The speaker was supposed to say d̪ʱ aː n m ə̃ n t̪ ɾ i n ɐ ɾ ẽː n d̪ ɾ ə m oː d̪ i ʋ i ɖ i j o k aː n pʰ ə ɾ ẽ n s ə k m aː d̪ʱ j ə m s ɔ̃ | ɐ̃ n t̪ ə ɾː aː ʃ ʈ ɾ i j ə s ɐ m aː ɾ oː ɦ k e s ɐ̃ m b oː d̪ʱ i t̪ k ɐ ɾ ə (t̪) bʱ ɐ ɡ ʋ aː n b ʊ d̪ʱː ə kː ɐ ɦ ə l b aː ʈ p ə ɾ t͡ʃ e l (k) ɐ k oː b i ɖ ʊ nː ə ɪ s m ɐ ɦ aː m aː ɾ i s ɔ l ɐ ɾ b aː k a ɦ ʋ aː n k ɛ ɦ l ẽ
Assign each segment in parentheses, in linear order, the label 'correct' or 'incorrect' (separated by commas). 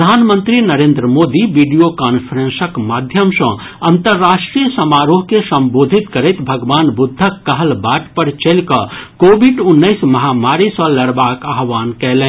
correct, correct